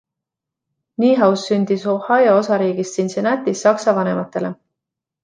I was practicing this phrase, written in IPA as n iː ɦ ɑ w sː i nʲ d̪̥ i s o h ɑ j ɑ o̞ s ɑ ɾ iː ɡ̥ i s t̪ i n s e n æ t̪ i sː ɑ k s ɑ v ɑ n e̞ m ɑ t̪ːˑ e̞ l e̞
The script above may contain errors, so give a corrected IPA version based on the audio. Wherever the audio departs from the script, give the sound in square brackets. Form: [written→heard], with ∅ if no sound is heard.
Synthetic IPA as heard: n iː ɦ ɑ w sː [i→y] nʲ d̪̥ i s o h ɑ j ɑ o̞ s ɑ ɾ iː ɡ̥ i s t̪ i n s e n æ t̪ i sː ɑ k s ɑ v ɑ n e̞ m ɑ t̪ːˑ e̞ l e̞